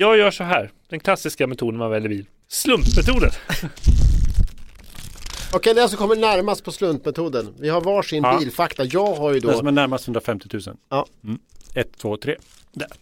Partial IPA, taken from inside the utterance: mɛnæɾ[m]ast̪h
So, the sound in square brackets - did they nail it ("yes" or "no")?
yes